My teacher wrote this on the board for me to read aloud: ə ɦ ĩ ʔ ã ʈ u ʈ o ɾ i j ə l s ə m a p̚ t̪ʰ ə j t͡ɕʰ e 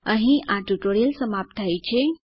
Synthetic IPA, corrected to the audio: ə ɦ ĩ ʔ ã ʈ u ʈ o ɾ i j ə l s ə m a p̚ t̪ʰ a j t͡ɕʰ e